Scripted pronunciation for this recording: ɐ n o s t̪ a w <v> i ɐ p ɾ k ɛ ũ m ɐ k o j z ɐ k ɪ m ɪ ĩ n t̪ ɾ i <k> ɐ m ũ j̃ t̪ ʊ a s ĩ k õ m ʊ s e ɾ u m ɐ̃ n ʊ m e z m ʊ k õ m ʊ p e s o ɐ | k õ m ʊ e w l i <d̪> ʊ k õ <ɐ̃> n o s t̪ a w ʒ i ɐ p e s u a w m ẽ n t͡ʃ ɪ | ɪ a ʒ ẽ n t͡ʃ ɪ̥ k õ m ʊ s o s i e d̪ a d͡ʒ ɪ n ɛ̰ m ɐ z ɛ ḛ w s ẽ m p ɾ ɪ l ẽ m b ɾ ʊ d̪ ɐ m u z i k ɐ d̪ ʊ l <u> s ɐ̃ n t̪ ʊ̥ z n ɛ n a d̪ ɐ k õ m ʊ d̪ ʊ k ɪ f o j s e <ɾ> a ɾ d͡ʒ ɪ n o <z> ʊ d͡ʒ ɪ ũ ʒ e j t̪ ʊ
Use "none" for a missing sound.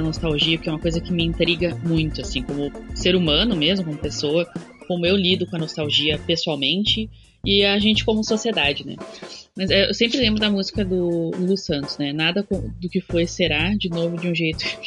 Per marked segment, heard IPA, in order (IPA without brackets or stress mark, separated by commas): ʒ, ɡ, d̪, ɐ, u, ɾ, v